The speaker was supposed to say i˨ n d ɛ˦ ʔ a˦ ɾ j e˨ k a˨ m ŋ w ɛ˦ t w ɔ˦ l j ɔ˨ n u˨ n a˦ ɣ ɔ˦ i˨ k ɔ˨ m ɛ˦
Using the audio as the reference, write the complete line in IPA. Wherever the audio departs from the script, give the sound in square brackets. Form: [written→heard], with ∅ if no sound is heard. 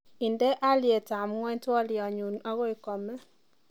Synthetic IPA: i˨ n d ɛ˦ ʔ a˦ [ɾ→l] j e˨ [k→t] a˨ m ŋ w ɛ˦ t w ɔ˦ l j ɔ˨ [n→ɲ] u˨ n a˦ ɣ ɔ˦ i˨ k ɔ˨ m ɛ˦